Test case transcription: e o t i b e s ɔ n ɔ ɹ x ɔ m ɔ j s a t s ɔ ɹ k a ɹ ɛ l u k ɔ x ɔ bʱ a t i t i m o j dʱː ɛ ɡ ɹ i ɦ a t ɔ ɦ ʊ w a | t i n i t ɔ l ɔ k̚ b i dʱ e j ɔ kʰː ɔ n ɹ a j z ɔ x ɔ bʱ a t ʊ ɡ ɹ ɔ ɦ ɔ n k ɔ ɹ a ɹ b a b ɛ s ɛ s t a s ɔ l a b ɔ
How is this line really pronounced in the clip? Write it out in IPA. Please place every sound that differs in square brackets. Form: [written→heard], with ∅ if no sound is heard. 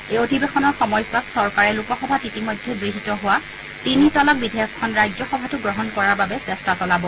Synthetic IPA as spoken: e o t i b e [s→x] ɔ n ɔ ɹ x ɔ m ɔ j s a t s ɔ ɹ k a ɹ ɛ l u k ɔ x ɔ bʱ a t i t i m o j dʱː ɛ ɡ ɹ i ɦ [a→i] t ɔ ɦ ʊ w a | t i n i t ɔ l ɔ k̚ b i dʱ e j ɔ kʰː ɔ n ɹ a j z ɔ x ɔ bʱ a t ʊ ɡ ɹ ɔ ɦ ɔ n k ɔ ɹ a ɹ b a b ɛ s ɛ s t a s ɔ l a b ɔ